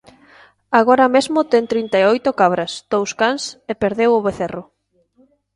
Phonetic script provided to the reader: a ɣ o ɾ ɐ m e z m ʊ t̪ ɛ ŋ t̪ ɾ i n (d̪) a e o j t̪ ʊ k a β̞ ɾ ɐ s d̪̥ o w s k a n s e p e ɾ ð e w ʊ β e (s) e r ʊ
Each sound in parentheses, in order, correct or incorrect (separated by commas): incorrect, incorrect